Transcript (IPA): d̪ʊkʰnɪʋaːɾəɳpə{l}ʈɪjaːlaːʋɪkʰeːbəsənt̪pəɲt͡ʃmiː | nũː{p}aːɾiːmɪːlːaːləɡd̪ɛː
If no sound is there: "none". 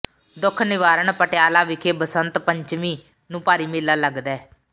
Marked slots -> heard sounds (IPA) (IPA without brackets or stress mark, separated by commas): none, p